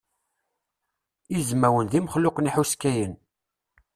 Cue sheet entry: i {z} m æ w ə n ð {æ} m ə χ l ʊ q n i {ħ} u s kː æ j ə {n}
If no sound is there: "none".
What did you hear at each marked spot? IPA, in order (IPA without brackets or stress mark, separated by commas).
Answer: z, i, ħ, n